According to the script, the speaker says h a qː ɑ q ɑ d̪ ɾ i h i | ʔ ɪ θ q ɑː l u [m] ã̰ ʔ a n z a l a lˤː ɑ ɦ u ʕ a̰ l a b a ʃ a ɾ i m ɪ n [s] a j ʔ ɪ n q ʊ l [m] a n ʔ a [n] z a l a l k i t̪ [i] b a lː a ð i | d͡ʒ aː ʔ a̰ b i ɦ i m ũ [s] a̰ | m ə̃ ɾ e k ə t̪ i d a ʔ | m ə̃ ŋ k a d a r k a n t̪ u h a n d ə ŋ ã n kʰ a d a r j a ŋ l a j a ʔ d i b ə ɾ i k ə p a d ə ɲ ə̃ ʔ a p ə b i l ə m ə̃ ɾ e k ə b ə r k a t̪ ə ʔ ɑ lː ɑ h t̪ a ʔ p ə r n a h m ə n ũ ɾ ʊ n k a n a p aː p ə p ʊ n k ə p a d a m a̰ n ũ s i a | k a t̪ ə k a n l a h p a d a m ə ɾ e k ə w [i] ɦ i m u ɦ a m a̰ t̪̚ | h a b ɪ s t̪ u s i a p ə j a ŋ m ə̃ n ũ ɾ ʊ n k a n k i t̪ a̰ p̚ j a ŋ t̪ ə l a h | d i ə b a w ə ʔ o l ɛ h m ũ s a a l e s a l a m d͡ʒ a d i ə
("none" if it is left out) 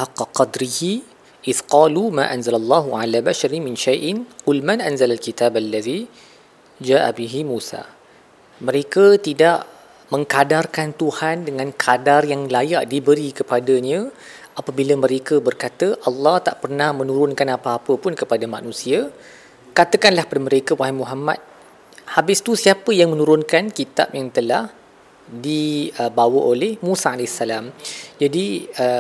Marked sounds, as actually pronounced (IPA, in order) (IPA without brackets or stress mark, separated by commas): m, ʃ, m, n, a, s, a